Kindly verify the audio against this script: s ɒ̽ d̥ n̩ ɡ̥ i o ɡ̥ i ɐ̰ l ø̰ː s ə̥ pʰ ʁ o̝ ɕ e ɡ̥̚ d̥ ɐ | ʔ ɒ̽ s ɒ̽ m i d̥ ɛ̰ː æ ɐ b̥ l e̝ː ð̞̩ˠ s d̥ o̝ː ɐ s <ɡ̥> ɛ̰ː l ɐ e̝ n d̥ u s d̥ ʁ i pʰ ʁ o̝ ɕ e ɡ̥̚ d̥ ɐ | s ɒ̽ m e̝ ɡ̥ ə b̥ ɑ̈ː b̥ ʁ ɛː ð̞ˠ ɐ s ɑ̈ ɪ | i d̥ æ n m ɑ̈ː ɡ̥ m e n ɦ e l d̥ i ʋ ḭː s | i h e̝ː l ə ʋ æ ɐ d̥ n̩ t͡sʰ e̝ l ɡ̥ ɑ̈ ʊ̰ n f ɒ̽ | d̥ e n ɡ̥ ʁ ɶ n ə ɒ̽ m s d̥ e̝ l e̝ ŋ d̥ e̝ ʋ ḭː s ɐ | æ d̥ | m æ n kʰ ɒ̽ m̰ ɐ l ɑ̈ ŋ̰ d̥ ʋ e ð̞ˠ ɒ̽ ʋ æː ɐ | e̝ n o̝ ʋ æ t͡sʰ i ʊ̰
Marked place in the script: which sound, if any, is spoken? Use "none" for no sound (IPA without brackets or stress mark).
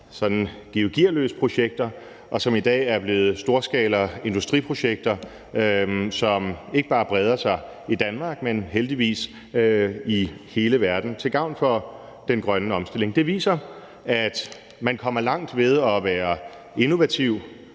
ɡ̥